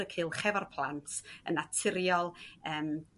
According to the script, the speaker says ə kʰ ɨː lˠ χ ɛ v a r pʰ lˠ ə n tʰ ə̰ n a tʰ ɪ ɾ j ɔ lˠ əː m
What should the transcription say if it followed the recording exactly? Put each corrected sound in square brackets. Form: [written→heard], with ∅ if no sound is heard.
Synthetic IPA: ə kʰ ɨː lˠ χ ɛ v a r pʰ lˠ [ə→a] n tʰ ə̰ n a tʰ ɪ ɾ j ɔ lˠ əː m